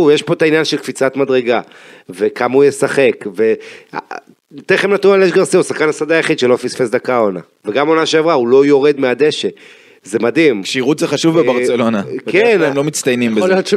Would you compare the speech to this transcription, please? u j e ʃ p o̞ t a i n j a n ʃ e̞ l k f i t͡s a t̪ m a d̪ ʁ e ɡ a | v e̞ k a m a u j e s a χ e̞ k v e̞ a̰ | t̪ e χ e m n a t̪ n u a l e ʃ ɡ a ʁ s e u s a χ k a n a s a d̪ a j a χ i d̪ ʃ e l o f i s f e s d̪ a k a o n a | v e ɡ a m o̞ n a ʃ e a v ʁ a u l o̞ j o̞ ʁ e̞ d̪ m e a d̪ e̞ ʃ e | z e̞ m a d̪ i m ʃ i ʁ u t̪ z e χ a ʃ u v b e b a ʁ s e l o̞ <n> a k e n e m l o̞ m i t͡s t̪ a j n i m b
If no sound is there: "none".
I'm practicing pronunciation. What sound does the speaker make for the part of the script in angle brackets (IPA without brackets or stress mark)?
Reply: n